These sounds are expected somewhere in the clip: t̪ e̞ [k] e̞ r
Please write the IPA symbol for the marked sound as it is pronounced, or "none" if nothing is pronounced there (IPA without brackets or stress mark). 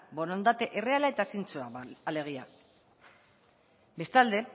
ʔ